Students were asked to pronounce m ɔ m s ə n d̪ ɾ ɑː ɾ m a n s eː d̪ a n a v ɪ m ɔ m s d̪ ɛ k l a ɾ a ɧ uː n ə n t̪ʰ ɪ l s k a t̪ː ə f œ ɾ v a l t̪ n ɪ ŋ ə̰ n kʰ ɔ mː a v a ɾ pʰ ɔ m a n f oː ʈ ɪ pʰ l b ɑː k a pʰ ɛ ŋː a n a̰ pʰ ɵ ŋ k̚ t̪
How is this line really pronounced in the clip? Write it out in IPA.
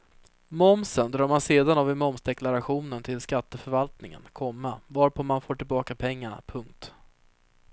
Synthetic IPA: m ɔ m s ə n d̪ ɾ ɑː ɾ m a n s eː d̪ a n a v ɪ m ɔ m s d̪ ɛ k l a ɾ a ɧ uː n ə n t̪ʰ ɪ l s k a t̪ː ə f œ ɾ v a l t̪ n ɪ ŋ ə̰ n kʰ ɔ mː a v a ɾ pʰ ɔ m a n f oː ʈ ɪ l b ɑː k a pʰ ɛ ŋː a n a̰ pʰ ɵ ŋ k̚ t̪